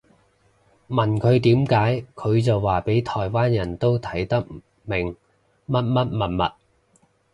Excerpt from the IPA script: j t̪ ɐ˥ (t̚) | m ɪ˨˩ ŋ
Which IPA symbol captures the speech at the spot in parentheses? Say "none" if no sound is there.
k̚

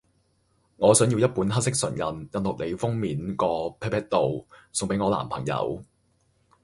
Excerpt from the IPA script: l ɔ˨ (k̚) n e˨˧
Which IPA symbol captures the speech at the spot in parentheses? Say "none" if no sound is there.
k̚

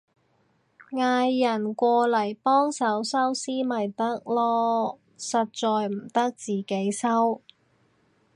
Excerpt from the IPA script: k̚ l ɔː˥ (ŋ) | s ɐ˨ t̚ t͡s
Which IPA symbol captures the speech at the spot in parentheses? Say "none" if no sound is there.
none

